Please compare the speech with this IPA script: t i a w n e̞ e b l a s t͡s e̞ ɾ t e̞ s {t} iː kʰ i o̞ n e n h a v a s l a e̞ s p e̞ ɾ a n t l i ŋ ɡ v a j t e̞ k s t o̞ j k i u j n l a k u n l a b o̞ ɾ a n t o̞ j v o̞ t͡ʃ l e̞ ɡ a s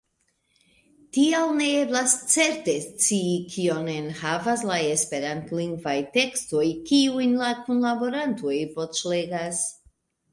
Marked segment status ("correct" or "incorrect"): incorrect